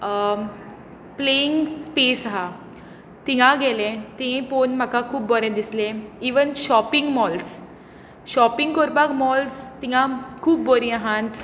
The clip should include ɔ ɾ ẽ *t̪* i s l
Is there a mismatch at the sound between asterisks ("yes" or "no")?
yes